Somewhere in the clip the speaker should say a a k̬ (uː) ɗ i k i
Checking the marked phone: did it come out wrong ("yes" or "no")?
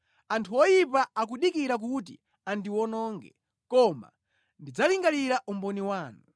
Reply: yes